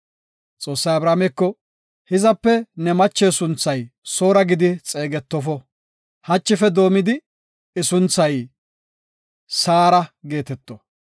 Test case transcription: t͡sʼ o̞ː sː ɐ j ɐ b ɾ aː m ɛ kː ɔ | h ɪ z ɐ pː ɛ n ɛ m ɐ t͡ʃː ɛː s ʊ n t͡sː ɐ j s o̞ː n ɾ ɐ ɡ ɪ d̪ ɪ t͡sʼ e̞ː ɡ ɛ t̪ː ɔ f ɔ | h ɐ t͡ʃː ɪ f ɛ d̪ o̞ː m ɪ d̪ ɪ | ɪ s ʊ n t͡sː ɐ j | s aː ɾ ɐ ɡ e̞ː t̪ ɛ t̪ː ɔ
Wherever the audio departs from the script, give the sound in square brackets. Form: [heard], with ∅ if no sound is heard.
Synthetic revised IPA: t͡sʼ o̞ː sː ɐ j ɐ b ɾ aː m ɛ kː ɔ | h ɪ z ɐ pː ɛ n ɛ m ɐ t͡ʃː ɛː s ʊ n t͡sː ɐ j s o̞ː [∅] ɾ ɐ ɡ ɪ d̪ ɪ t͡sʼ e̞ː ɡ ɛ t̪ː ɔ f ɔ | h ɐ t͡ʃː ɪ f ɛ d̪ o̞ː m ɪ d̪ ɪ | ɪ s ʊ n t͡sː ɐ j | s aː ɾ ɐ ɡ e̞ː t̪ ɛ t̪ː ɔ